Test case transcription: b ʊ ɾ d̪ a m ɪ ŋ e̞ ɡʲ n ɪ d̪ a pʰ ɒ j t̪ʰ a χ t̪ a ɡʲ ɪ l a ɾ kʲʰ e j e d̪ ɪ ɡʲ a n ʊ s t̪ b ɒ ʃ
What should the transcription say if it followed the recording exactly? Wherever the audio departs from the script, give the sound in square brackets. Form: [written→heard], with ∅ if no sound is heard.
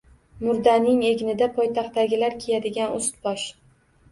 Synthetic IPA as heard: [b→m] ʊ ɾ d̪ a [m→n] ɪ ŋ e̞ ɡʲ n ɪ d̪ a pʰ ɒ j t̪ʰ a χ t̪ a ɡʲ ɪ l a ɾ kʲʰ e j [e→a] d̪ ɪ ɡʲ a n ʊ s t̪ b ɒ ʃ